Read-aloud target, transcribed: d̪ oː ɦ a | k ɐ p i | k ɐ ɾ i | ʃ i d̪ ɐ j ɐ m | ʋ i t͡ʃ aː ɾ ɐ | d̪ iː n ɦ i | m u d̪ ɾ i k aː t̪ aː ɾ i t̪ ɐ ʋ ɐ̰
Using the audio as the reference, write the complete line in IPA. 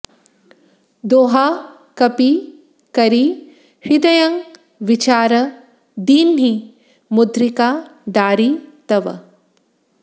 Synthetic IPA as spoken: d̪ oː ɦ a | k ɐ p i | k ɐ ɾ i | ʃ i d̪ ɐ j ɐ ŋ | ʋ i t͡ʃ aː ɾ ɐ | d̪ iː n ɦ i | m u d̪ ɾ i k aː d̪ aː ɾ i t̪ ɐ ʋ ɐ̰